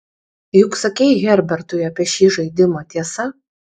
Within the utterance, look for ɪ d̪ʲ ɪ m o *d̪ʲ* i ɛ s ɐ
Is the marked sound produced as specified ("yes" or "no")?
no